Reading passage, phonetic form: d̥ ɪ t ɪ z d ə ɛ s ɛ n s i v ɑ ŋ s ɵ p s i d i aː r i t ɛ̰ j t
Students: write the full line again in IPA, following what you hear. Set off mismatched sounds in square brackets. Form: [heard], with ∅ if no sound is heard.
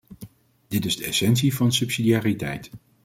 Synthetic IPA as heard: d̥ ɪ t ɪ z d ə ɛ s ɛ n s i v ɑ [n] s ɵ p s i d i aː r i t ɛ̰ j t

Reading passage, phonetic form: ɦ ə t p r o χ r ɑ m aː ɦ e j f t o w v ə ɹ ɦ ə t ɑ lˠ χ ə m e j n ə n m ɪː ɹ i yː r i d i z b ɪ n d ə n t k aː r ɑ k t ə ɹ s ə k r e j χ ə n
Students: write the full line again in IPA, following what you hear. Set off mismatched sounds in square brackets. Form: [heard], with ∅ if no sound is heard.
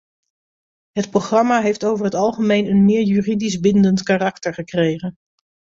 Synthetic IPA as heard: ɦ ə t p r o χ r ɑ m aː ɦ e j f t o w v ə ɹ ɦ ə t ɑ lˠ χ ə m e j n ə n m ɪː ɹ [j] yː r i d i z b ɪ n d ə n t k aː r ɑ k t ə ɹ [χ] ə k r e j χ ə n

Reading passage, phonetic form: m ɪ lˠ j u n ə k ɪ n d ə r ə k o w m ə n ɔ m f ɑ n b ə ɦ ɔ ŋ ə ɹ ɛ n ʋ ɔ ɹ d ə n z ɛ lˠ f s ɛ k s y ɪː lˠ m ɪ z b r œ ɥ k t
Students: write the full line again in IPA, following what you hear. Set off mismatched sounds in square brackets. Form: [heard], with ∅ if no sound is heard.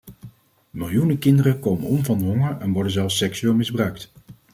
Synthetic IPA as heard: m ɪ lˠ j u n ə k ɪ n d ə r ə k o w m ə n ɔ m [v] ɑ n [d] ə ɦ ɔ ŋ ə ɹ ɛ n ʋ ɔ ɹ d ə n z ɛ lˠ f s ɛ k s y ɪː lˠ m ɪ z b r œ ɥ k t

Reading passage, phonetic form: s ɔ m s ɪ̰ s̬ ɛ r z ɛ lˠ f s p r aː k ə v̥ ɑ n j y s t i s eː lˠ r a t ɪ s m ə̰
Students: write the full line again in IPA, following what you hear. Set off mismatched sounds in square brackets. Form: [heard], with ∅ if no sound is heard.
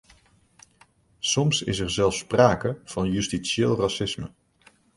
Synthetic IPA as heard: s ɔ m s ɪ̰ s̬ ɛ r z ɛ lˠ f s p r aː k ə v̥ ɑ n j y s t i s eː lˠ r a [s] ɪ s m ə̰

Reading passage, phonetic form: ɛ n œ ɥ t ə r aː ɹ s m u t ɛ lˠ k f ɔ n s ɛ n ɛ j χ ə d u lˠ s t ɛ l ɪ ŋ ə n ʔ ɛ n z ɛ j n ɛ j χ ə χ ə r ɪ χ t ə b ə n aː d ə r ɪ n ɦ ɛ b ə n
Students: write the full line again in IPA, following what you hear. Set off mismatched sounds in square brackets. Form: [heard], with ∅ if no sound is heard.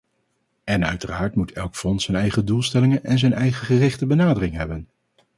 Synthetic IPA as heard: ɛ n œ ɥ t ə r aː ɹ [t] m u t ɛ lˠ k f ɔ n s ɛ n ɛ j χ ə d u lˠ s t ɛ l ɪ ŋ ə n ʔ ɛ n z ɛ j n ɛ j χ ə χ ə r ɪ χ t ə b ə n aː d ə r ɪ [ŋ] ɦ ɛ b ə n

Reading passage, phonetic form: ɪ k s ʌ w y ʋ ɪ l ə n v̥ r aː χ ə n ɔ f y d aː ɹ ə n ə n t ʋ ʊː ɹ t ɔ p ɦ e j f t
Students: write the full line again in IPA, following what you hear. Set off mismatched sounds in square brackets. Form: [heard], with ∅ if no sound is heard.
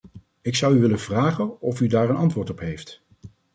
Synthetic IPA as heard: ɪ k s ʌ w y ʋ ɪ l ə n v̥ r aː χ ə n ɔ f y d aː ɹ ə n [ɑ] n t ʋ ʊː ɹ t ɔ p ɦ e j f t

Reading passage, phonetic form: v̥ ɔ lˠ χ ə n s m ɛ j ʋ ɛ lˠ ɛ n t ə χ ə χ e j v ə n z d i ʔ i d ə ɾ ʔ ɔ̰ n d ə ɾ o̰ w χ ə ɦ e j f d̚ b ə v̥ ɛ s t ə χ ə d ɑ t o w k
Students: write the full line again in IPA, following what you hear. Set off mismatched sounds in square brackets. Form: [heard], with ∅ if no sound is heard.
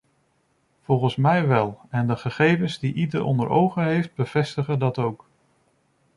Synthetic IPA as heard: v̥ ɔ lˠ χ ə n s m ɛ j ʋ ɛ lˠ ɛ n [d] ə χ ə χ e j v ə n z d i ʔ i d ə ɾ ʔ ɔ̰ n d ə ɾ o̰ w χ ə ɦ e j f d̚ b ə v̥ ɛ s t ə χ ə d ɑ t o w k

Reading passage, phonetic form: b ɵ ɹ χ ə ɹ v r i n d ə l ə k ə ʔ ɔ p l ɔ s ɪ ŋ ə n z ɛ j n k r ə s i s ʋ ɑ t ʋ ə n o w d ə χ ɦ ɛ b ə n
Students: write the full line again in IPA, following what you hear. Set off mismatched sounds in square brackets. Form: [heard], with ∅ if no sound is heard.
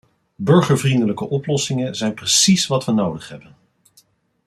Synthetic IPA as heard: b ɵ ɹ χ ə ɹ v r i n d ə l ə k ə ʔ ɔ p l ɔ s ɪ ŋ ə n z ɛ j n [p] r ə s i s ʋ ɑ t ʋ ə n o w d ə χ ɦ ɛ b ə n

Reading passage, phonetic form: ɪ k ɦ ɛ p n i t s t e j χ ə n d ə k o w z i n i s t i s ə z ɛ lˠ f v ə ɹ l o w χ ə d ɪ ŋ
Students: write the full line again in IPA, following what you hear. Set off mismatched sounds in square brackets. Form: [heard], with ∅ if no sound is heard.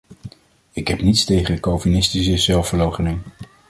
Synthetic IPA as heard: ɪ k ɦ ɛ p n i t s t e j χ ə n d ə k o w [v] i n [ɪ] s t i s ə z ɛ lˠ f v ə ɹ l o w χ ə [n] ɪ ŋ

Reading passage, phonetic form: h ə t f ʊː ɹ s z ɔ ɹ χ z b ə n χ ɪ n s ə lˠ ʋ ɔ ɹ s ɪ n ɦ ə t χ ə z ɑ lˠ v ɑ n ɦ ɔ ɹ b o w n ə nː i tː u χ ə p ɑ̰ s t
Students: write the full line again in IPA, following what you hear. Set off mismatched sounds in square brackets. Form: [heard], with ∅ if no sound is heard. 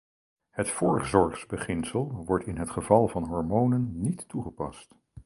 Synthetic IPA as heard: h ə t f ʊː ɹ [χ] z ɔ ɹ χ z b ə [∅] χ ɪ n s ə lˠ ʋ ɔ ɹ [t] ɪ n ɦ ə t χ ə [v] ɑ lˠ v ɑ n ɦ ɔ ɹ [m] o w n ə nː i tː u χ ə p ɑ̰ s t

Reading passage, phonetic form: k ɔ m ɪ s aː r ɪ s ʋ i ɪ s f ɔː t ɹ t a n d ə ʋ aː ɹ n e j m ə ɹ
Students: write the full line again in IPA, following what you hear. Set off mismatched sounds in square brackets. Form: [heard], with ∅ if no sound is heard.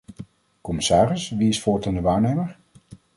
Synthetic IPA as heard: k ɔ m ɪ s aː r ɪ s ʋ i ɪ s f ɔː [∅] ɹ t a n d ə ʋ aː ɹ n e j m ə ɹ

